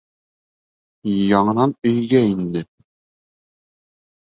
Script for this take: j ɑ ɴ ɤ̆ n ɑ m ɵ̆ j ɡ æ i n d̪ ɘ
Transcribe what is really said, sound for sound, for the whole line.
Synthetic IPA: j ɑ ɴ ɤ̆ n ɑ n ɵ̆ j ɡ æ i n d̪ ɘ